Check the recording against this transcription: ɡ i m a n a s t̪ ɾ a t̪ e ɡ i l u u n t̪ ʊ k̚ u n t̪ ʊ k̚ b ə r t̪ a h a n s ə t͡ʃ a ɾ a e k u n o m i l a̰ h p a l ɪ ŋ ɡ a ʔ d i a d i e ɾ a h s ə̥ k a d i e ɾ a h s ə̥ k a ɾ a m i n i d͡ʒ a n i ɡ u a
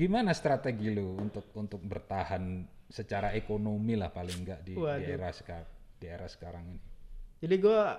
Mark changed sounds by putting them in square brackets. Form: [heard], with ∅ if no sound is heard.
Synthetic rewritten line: ɡ i m a n a s t̪ ɾ a t̪ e ɡ i l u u n t̪ ʊ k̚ u n t̪ ʊ k̚ b ə r t̪ a h a n s ə t͡ʃ a ɾ a e k [o] n o m i l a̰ h p a l ɪ ŋ ɡ a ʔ d i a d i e ɾ a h s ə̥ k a d i e ɾ a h s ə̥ k a ɾ a [ŋ] i n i d͡ʒ a [d] i ɡ u a